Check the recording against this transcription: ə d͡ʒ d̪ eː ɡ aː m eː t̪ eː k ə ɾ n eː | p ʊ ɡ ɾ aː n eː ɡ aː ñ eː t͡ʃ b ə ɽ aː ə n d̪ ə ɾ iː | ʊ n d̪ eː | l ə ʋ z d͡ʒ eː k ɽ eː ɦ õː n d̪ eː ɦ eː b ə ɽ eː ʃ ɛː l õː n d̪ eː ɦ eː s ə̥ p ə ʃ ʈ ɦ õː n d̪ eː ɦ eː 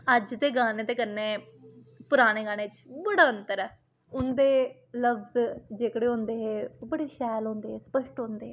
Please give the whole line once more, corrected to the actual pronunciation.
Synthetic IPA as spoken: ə d͡ʒ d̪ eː ɡ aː n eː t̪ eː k ə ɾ n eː | p ʊ ɾ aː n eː ɡ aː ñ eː t͡ʃ b ə ɽ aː ə n t̪ ə ɾ ɛː | ʊ n d̪ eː | l ə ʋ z d͡ʒ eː k ɽ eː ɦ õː n d̪ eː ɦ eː b ə ɽ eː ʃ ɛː l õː n d̪ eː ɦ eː s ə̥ p ə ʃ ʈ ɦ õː n d̪ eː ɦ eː

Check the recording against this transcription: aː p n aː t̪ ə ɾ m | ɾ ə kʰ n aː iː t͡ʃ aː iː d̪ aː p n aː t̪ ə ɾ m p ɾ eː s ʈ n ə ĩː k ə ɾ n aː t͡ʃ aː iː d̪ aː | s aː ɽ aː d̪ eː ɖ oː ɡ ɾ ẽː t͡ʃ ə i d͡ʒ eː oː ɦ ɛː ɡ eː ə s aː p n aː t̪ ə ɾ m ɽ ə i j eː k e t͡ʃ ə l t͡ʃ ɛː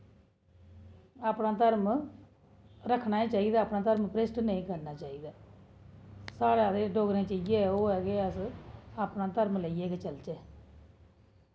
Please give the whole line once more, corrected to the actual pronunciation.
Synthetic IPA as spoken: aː p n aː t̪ ə ɾ m | ɾ ə kʰ n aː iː t͡ʃ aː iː d̪ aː p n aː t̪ ə ɾ m p ɾ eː s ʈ n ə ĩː k ə ɾ n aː t͡ʃ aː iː d̪ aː | s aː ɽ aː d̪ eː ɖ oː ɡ ɾ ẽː t͡ʃ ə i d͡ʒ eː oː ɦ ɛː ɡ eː ə s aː p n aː t̪ ə ɾ m l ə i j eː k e t͡ʃ ə l t͡ʃ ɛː

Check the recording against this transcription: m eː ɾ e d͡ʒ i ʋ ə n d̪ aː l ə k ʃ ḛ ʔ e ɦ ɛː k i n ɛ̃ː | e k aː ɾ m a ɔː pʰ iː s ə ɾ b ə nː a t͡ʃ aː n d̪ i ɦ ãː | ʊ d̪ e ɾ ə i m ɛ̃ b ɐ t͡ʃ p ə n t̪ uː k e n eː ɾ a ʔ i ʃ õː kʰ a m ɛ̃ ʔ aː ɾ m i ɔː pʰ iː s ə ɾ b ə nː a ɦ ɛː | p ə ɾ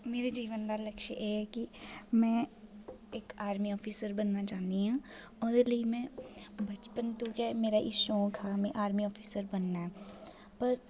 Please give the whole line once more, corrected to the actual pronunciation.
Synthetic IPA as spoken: m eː ɾ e d͡ʒ iː ʋ ə n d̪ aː l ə k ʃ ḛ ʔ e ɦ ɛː k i m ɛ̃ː | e k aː ɾ m i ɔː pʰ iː s ə ɾ b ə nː a t͡ʃ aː n d̪ i ɦ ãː | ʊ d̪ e l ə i m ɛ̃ b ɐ t͡ʃ p ə n t̪ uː k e m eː ɾ a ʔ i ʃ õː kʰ a m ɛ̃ ʔ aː ɾ m i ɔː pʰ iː s ə ɾ b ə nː a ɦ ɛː | p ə ɾ

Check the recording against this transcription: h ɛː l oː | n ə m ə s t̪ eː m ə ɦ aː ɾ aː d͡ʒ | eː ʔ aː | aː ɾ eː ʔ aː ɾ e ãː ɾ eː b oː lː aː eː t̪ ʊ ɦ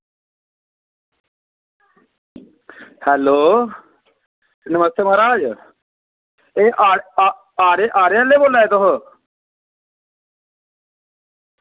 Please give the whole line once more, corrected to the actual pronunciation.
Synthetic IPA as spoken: h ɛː l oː | n ə m ə s t̪ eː m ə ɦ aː ɾ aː d͡ʒ | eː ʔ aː | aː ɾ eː ʔ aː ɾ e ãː l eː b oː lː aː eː t̪ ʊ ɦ

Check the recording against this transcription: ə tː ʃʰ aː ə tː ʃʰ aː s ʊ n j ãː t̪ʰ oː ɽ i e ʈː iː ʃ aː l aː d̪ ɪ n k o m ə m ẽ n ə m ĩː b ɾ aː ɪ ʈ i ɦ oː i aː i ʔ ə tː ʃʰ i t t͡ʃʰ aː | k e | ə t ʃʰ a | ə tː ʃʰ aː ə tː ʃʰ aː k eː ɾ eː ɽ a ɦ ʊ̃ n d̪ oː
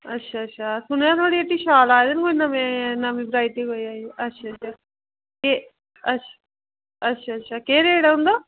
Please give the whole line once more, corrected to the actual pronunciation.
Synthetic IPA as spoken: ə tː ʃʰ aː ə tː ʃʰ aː s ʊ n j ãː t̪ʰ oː ɽ i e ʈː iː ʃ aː l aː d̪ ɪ n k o n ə m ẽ n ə m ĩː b ɾ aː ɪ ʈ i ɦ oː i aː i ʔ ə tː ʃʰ a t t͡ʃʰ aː | k e | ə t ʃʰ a | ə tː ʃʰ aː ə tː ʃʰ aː k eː ɾ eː ɽ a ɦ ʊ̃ n d̪ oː

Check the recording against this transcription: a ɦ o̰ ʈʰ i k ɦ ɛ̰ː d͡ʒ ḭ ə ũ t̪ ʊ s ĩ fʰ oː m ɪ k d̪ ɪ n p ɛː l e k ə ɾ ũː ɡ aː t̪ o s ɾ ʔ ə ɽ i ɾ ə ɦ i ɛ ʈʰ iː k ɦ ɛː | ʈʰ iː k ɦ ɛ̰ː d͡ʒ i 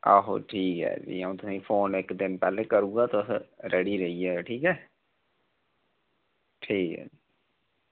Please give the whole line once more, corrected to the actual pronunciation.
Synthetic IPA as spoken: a ɦ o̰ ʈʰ iː k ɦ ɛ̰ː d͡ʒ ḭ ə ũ t̪ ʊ s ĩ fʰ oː n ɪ k d̪ ɪ n p ɛː l e k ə ɾ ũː ɡ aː t̪ o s ɾ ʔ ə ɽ i ɾ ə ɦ i ɛ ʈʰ iː k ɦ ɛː | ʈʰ iː k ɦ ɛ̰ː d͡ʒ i

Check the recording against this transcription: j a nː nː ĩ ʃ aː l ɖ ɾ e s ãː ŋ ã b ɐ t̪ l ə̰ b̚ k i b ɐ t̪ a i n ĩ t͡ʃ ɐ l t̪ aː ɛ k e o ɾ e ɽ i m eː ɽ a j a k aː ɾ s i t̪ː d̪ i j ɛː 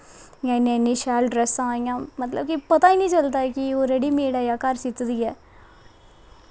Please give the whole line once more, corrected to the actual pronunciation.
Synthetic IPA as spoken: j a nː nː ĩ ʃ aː l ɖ ɾ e s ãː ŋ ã m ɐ t̪ l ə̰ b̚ k i p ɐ t̪ a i n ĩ t͡ʃ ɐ l t̪ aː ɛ k i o ɾ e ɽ i m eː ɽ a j a k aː ɾ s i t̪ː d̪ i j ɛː

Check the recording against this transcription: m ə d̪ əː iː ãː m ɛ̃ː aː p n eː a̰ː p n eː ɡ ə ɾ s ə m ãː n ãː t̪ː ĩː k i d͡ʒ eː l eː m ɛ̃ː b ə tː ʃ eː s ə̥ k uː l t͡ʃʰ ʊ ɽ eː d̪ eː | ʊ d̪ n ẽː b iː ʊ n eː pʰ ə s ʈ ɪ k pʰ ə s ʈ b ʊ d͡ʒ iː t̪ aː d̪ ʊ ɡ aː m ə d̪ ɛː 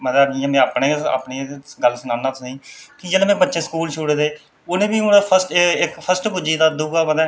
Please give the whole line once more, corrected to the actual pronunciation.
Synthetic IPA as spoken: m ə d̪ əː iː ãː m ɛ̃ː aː p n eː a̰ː p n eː ɡ ə l s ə n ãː n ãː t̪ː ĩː k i d͡ʒ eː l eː m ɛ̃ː b ə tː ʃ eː s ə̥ k uː l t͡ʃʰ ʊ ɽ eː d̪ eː | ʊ n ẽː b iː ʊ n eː pʰ ə s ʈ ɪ k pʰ ə s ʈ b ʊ d͡ʒ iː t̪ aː d̪ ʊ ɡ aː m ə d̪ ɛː

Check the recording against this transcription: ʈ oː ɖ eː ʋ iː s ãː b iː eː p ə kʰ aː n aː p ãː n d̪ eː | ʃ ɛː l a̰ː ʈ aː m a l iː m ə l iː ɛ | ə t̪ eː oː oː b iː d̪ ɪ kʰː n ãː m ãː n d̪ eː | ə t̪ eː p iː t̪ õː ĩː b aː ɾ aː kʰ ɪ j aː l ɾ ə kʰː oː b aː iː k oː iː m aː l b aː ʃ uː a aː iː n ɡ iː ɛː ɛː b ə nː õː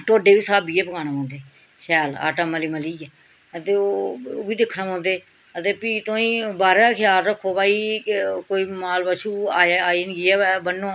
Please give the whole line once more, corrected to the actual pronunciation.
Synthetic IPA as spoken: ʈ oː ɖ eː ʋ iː s aː b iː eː p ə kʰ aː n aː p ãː n d̪ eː | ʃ ɛː l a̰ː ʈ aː m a l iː m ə l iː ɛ | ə t̪ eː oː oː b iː d̪ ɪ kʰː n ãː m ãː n d̪ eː | ə t̪ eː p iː t̪ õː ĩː b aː ɾ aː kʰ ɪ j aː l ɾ ə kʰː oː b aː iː k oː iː m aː l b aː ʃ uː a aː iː n ɡ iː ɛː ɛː b ə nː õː

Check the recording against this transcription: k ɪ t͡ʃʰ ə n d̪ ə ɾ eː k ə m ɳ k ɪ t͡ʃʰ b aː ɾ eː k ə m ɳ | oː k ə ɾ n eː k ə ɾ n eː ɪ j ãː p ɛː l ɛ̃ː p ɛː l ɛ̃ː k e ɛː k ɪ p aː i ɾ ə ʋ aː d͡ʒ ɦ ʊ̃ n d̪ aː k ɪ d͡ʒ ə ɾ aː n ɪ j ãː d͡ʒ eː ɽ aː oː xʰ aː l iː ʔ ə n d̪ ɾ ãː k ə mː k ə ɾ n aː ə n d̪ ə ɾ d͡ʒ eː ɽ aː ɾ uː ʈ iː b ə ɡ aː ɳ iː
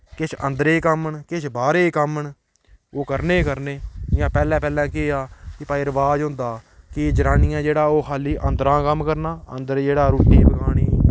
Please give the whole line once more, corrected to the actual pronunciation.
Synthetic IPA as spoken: k ɪ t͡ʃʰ ə n d̪ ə ɾ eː k ə m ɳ k ɪ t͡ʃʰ b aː ɾ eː k ə m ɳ | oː k ə ɾ n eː k ə ɾ n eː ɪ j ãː p ɛː l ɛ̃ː p ɛː l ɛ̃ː k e aː k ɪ p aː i ɾ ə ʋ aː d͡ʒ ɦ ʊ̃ n d̪ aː k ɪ d͡ʒ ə ɾ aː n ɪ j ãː d͡ʒ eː ɽ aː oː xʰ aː l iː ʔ ə n d̪ ɾ ãː k ə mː k ə ɾ n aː ə n d̪ ə ɾ d͡ʒ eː ɽ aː ɾ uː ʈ iː b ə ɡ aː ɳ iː

